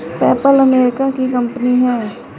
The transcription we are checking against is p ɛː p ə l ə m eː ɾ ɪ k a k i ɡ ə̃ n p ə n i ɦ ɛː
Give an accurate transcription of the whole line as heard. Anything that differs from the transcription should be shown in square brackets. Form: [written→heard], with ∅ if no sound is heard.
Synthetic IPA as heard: p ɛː p ə l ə m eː ɾ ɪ k a k i [ɡ→k] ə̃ [n→m] p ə n i ɦ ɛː